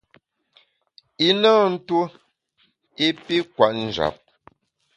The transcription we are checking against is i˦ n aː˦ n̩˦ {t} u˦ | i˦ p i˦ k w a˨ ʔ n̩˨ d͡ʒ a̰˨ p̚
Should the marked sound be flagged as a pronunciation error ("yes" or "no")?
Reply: no